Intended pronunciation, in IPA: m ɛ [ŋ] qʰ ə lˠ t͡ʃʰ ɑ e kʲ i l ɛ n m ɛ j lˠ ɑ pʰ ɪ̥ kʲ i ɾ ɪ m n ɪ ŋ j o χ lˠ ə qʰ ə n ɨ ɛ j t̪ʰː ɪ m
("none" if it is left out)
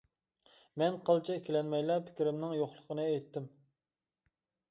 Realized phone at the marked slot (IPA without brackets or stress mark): n